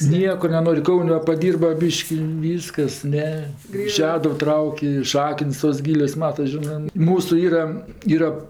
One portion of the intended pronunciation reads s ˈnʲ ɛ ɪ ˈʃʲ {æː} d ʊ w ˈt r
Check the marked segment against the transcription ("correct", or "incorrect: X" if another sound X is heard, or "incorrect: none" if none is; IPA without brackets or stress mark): correct